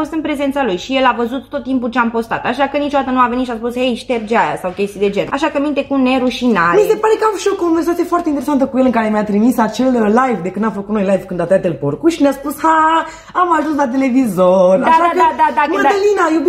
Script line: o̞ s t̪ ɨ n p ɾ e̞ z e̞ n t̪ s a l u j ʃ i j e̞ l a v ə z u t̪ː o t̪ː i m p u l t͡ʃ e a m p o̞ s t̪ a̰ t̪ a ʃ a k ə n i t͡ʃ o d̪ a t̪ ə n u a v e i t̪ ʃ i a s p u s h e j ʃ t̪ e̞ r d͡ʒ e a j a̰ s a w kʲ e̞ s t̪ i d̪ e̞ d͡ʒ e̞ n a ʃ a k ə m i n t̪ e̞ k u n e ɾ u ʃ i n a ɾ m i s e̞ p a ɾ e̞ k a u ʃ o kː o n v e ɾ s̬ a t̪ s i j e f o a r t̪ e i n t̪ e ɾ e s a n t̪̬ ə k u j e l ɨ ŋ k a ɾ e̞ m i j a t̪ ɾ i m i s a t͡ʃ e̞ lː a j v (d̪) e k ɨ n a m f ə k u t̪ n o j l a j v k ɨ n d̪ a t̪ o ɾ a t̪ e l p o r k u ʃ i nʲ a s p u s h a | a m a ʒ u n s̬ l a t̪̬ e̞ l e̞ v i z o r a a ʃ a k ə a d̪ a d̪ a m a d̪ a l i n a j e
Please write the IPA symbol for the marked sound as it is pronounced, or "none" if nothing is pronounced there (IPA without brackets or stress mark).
d̪